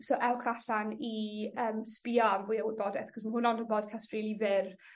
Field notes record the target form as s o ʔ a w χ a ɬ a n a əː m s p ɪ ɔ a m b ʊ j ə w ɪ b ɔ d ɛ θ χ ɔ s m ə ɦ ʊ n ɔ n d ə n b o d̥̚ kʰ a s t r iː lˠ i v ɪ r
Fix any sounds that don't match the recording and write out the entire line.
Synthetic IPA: s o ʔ ɛ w χ a ɬ a n i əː m s p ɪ ɔ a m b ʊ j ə w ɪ b ɔ d ɛ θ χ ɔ s m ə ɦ ʊ n ɔ n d ə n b ɔ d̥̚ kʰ a s t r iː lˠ i v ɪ r